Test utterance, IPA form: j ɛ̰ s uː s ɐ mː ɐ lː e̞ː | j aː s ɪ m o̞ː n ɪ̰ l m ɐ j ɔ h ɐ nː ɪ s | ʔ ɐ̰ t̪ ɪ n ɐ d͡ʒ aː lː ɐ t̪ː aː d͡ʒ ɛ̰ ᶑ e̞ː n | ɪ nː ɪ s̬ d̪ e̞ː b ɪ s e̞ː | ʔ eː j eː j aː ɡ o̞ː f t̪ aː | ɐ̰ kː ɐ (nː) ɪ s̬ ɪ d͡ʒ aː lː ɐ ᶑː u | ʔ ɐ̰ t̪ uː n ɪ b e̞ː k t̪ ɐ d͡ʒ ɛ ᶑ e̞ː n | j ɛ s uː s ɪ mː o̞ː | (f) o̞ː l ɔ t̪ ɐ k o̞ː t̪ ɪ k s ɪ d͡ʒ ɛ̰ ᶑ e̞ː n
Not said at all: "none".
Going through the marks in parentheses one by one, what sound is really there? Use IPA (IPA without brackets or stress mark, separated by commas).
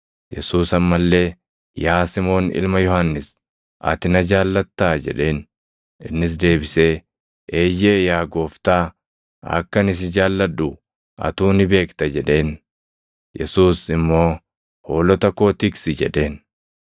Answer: n, h